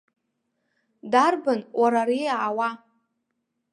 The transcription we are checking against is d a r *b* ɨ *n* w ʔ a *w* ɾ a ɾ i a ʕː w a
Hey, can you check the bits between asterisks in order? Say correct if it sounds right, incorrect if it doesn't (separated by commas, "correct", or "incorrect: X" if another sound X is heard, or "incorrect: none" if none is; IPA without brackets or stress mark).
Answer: correct, correct, incorrect: none